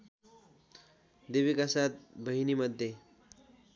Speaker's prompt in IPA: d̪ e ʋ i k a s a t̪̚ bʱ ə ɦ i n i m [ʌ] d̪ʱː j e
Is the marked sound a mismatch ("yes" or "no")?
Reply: yes